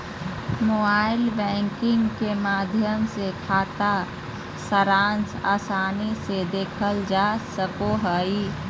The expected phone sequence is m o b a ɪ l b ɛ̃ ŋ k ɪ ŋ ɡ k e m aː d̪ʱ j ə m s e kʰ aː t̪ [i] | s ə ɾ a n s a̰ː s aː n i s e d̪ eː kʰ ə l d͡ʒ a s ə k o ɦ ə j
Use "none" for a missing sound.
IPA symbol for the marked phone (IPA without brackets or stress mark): a